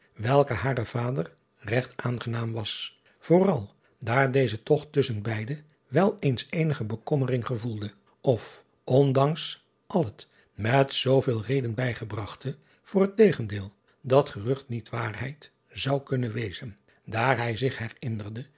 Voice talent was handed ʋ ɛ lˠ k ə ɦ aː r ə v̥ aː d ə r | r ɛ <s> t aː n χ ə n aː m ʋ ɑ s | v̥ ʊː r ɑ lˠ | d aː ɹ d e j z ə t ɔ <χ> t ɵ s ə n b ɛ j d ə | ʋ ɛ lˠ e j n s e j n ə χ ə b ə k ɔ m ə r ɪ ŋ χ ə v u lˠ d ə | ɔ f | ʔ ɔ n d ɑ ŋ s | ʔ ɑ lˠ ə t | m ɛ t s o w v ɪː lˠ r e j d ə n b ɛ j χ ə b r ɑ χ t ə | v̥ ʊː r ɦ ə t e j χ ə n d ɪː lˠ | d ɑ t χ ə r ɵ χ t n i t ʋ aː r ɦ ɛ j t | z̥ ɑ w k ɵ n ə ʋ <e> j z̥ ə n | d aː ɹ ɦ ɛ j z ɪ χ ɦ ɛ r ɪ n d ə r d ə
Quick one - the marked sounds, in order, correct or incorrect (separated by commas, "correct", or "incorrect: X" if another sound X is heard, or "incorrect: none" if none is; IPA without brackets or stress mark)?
incorrect: χ, correct, correct